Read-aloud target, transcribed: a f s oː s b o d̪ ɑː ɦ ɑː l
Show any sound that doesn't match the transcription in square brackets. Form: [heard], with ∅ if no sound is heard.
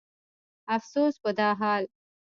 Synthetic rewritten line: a f s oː s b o d̪ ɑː ɦ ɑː l